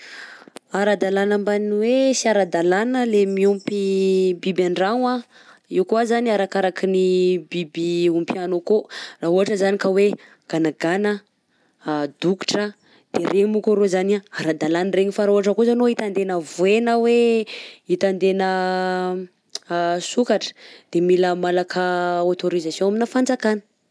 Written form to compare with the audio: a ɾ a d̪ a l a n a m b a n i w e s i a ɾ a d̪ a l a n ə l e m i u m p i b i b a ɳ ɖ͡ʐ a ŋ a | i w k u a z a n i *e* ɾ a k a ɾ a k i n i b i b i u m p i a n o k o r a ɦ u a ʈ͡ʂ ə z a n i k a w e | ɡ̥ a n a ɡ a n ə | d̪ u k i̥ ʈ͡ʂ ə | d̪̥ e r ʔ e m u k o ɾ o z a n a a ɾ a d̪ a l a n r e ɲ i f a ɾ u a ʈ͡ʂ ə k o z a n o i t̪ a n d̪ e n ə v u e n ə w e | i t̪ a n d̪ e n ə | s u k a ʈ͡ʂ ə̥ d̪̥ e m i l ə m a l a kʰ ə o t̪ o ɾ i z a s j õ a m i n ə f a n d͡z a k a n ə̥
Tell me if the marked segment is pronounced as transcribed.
no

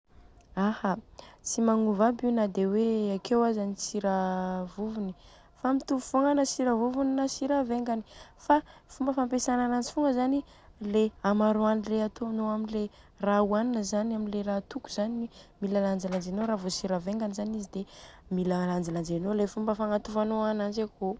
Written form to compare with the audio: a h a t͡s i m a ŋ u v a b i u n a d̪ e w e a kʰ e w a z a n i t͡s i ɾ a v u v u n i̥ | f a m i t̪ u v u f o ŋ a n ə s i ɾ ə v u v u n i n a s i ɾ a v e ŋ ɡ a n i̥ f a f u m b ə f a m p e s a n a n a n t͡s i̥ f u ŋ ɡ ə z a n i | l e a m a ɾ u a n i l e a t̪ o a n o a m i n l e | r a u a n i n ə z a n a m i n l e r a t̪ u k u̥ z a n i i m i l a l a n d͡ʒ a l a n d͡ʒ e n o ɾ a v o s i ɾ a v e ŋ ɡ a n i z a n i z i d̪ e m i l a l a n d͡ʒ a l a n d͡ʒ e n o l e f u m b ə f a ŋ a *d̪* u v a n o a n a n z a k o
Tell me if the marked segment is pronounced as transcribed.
no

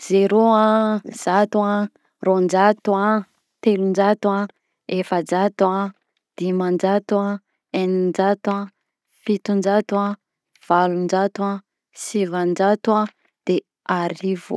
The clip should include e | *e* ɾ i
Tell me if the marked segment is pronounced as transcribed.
no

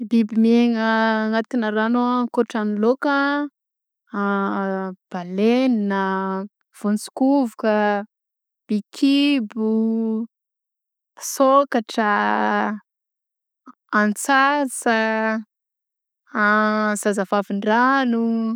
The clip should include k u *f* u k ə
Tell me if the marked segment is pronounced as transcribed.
no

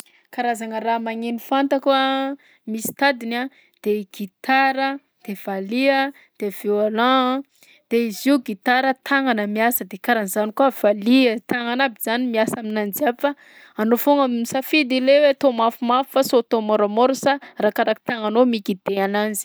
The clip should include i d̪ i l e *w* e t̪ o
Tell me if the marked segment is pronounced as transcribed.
yes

